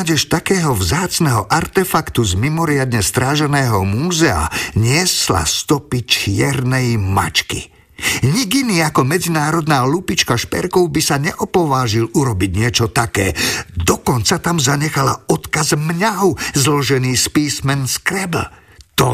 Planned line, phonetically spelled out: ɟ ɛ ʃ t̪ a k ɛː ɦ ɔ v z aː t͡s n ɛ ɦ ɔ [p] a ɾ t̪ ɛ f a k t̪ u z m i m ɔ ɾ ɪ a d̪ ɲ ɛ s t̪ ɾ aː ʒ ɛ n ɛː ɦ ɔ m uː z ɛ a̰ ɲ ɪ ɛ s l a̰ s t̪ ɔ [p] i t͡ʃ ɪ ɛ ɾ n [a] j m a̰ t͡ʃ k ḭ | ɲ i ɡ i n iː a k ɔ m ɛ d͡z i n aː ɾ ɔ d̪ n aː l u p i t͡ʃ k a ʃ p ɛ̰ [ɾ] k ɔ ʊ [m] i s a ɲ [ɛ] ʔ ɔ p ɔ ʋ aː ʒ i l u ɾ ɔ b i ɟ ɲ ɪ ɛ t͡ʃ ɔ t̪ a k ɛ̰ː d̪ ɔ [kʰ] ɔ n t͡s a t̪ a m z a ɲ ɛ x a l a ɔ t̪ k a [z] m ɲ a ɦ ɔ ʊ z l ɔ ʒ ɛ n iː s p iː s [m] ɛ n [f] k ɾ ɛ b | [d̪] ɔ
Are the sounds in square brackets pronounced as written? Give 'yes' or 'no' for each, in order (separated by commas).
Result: no, yes, no, yes, no, yes, no, yes, yes, no, no